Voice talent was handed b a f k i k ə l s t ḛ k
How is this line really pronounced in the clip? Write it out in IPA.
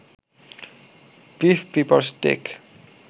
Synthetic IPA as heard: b i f p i p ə l s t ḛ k